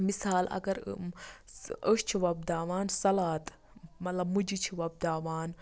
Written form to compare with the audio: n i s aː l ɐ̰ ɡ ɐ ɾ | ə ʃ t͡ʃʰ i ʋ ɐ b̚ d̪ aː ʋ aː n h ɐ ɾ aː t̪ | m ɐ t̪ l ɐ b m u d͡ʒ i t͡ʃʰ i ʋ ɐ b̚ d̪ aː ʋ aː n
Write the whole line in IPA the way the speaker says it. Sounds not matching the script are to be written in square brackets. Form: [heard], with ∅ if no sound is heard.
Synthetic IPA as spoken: [m] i s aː l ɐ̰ ɡ ɐ ɾ | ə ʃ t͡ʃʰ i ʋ ɐ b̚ d̪ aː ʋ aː n [s] ɐ [l] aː t̪ | m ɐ t̪ l ɐ b m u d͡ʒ i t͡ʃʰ i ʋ ɐ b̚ d̪ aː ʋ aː n